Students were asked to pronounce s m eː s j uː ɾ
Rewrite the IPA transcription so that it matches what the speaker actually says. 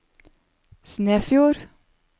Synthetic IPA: s n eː f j uː ɾ